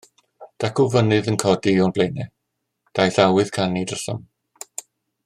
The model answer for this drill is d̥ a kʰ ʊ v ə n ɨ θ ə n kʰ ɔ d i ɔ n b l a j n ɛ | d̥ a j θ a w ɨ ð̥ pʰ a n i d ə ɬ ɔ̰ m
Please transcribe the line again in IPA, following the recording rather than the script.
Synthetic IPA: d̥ a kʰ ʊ v ə n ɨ ð ə n kʰ ɔ d i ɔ n b l e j n ɛ | d̥ a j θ a w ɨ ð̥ kʰ a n i d ə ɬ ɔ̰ m